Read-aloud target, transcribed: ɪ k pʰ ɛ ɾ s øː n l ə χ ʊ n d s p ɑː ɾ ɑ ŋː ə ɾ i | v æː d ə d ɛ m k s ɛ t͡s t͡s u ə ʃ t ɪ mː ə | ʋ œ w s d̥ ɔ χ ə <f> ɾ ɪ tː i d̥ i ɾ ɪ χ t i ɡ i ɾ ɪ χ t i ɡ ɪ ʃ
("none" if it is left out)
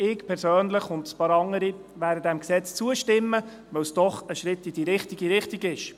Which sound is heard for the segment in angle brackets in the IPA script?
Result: ʃ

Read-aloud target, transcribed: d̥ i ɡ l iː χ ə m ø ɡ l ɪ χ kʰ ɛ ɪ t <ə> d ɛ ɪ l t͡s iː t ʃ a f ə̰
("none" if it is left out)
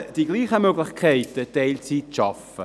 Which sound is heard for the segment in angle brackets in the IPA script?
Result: ə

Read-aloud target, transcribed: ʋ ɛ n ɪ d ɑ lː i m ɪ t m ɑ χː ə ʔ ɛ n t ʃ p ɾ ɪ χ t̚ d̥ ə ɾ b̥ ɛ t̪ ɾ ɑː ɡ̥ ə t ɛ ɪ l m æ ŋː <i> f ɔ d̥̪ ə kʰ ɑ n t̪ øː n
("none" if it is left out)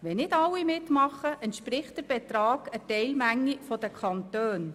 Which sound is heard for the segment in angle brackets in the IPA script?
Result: i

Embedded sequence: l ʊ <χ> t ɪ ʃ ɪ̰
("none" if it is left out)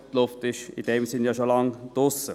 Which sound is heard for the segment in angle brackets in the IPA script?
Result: f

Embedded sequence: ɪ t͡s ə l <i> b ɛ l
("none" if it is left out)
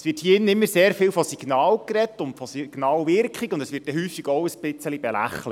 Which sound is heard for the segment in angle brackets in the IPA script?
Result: i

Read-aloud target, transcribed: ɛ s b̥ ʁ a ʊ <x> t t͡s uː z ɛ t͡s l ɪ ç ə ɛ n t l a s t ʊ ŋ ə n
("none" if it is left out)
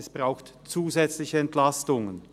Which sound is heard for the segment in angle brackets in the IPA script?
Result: x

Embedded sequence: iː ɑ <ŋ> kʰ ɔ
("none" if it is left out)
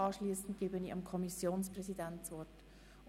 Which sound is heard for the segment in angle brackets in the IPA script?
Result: m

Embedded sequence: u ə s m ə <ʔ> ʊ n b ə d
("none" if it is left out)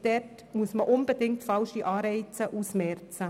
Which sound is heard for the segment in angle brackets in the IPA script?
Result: ʔ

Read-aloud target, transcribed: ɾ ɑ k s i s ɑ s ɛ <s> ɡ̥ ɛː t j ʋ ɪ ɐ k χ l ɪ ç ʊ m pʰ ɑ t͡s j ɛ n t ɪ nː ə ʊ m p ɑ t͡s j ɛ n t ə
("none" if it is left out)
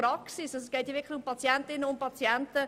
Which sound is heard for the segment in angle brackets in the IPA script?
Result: s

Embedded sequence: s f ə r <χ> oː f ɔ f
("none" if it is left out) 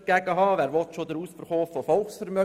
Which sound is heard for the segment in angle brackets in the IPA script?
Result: χ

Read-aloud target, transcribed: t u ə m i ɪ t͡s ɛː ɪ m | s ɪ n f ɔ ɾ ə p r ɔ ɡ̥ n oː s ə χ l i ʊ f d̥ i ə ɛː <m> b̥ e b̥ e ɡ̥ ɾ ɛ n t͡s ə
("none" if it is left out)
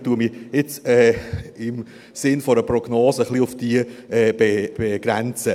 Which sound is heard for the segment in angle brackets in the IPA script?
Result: none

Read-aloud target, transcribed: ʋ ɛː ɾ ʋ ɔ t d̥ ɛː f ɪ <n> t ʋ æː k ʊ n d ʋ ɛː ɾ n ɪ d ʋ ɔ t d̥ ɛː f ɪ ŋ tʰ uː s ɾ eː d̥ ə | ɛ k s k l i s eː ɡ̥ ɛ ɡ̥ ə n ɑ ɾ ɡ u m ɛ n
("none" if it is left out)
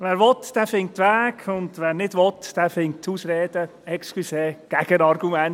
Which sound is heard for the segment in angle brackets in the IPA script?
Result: ŋ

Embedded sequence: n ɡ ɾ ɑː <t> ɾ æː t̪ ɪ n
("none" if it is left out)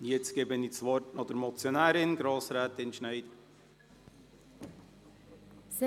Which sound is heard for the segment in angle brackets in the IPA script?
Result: s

